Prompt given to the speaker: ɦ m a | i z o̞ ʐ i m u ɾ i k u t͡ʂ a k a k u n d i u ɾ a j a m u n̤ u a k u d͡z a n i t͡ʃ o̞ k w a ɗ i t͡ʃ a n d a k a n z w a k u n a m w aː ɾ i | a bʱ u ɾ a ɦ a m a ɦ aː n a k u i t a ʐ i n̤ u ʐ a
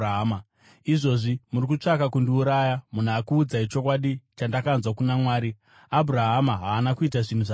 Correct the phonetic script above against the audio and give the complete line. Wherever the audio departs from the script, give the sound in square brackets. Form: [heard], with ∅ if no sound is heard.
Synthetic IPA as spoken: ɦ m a | i [ʐ] o̞ ʐ i m u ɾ i k u t͡ʂ a k a k u n d i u ɾ a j a m u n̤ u a k [uː] d͡z a [∅] i t͡ʃ o̞ k w a ɗ i t͡ʃ a n d a k a n z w a k u n a m w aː ɾ i | a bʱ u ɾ a ɦ a m a ɦ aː n a k u i t a ʐ i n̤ u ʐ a